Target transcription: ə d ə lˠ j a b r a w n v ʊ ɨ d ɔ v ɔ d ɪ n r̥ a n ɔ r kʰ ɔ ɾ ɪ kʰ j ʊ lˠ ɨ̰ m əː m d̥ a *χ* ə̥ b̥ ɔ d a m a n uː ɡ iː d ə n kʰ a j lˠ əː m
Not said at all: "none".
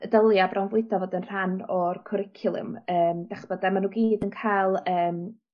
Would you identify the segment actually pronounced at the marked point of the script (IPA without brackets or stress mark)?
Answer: χ